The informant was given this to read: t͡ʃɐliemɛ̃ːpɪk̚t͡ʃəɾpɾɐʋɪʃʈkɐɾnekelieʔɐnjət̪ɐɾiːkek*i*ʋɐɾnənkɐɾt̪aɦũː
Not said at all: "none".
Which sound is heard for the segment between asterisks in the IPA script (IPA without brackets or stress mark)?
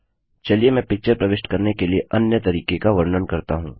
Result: a